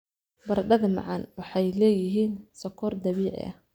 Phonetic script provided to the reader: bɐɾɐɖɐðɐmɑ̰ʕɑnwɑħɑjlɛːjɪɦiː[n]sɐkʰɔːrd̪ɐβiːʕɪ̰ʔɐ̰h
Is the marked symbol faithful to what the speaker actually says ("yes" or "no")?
yes